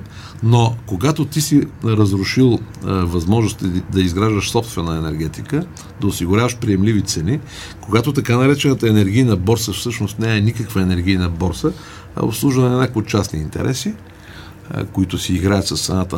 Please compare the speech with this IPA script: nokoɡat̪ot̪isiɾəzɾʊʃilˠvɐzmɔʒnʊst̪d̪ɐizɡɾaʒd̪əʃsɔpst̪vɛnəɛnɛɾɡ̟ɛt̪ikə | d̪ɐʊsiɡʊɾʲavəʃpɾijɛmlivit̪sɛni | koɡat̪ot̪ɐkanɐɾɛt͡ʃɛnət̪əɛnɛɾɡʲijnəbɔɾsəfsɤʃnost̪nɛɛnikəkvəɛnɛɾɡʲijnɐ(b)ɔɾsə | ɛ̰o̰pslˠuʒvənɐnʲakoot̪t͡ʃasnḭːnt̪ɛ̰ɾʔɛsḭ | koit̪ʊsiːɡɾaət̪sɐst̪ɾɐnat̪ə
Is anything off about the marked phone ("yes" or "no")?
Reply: no